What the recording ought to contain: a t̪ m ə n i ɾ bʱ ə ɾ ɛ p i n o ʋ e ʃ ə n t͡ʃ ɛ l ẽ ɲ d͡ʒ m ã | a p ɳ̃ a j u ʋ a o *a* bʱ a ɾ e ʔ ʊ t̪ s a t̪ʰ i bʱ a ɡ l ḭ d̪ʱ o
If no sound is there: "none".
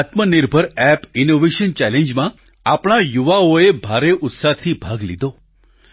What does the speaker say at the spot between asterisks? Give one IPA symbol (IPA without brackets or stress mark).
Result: e